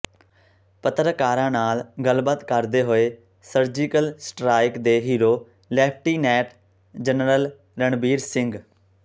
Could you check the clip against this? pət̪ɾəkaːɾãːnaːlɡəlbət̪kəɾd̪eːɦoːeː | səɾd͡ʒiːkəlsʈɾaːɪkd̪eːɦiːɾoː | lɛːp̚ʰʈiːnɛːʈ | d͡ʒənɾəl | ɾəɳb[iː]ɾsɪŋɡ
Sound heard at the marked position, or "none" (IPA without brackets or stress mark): iː